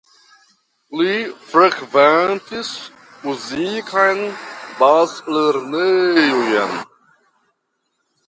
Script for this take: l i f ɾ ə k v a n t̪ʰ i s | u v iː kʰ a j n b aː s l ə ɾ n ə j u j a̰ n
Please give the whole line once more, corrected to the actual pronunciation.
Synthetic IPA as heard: l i f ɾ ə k v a n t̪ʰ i s | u z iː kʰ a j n b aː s l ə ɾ n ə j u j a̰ n